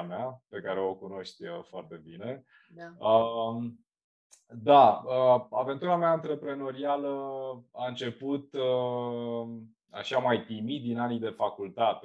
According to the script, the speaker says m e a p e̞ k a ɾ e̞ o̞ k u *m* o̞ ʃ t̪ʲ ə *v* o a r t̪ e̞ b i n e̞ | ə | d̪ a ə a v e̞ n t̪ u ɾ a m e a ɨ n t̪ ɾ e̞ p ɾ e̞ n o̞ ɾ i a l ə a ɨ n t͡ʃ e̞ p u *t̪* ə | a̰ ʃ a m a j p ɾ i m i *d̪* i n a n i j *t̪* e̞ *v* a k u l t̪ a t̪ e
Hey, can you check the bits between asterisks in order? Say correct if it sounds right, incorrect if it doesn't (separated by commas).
incorrect, incorrect, correct, correct, incorrect, incorrect